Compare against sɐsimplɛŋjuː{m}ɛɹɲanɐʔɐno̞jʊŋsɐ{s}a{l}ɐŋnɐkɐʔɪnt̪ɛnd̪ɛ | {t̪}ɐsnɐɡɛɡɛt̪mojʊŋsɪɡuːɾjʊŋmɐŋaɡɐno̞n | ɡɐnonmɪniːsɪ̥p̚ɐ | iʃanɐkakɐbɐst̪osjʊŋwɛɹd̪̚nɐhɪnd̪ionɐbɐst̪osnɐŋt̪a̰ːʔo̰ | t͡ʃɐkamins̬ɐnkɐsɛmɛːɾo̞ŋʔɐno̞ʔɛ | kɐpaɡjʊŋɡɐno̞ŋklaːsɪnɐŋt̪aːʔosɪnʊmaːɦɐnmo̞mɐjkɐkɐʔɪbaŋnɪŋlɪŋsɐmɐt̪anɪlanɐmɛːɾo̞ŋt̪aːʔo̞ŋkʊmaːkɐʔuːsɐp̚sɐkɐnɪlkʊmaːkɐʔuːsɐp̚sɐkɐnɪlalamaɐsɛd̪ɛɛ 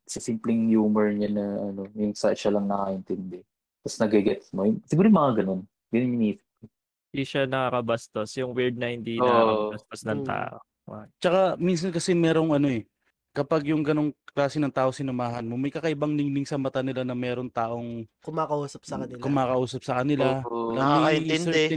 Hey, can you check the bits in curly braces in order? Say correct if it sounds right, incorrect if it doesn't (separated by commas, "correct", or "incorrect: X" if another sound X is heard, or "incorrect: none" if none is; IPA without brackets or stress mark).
correct, incorrect: ʃ, correct, correct